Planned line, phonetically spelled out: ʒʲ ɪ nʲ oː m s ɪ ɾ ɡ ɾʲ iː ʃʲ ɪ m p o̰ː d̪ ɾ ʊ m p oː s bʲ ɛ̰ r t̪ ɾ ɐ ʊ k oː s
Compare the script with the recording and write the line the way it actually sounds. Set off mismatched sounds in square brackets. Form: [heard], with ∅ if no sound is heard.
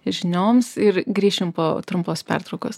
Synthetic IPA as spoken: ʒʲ ɪ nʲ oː m s ɪ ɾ ɡ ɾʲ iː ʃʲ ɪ m p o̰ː [t̪] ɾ ʊ m p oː s [pʲ] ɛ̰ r t̪ ɾ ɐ ʊ k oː s